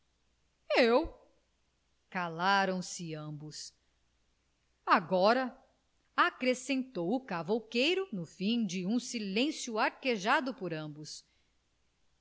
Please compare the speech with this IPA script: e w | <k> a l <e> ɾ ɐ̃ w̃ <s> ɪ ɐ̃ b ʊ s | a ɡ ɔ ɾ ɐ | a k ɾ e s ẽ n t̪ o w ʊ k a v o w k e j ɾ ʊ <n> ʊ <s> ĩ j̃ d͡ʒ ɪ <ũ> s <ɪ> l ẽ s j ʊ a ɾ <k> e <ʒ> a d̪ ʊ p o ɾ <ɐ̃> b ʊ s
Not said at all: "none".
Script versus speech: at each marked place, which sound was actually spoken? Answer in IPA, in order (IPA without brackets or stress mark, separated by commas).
k, a, s, n, f, ũ, i, k, ʒ, ɐ̃